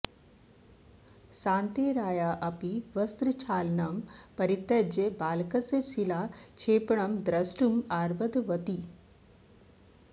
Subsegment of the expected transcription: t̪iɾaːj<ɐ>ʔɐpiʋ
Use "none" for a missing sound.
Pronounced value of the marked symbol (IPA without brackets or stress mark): a